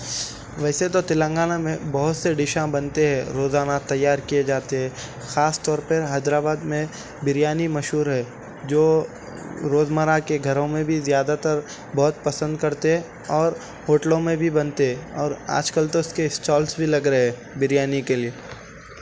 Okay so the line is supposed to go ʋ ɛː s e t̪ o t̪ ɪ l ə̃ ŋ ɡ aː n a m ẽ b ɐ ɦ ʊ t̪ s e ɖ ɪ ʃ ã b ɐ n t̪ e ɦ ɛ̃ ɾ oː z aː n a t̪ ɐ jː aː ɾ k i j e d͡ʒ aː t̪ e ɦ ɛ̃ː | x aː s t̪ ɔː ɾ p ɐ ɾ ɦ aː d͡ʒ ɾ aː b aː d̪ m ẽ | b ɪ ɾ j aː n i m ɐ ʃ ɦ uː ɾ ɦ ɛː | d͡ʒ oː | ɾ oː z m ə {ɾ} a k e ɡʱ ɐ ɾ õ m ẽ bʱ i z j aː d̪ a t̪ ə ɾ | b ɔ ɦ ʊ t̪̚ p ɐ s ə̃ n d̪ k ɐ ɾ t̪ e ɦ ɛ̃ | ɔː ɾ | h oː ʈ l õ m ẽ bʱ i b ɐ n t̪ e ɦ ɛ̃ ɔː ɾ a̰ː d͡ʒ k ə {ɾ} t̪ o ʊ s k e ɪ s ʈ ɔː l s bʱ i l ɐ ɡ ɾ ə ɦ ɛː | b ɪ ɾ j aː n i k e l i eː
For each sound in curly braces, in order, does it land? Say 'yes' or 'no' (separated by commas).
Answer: yes, no